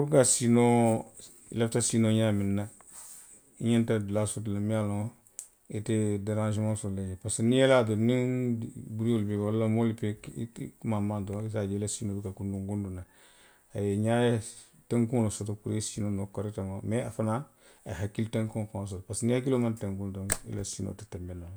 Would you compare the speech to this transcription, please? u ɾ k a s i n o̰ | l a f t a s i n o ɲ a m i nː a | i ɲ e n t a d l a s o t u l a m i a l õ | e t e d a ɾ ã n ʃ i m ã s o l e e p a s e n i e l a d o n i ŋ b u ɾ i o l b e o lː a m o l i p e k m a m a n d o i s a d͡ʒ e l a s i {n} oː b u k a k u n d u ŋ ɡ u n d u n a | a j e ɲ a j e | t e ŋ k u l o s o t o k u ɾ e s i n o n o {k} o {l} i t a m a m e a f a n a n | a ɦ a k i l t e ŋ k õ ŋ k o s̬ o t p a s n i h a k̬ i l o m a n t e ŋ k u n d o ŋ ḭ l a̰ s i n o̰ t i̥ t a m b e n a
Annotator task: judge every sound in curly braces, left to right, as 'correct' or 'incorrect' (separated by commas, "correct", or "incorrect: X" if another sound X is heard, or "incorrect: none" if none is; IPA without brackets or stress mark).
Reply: correct, correct, incorrect: ɾ